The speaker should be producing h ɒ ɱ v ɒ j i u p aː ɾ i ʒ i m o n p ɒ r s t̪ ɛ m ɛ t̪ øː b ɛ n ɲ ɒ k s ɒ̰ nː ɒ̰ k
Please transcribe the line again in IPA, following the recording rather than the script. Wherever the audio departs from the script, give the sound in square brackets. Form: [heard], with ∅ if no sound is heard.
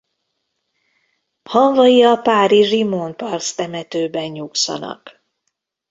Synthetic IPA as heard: h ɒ ɱ v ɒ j i [ɒ] p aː ɾ i ʒ i m o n p ɒ r s t̪ ɛ m ɛ t̪ øː b ɛ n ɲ [u] k s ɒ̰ [n] ɒ̰ k